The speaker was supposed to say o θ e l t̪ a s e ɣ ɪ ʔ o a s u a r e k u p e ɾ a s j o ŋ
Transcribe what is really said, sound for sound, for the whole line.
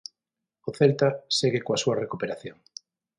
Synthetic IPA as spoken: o θ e l t̪ a s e ɣ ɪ k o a s u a r e k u p e ɾ a θ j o ŋ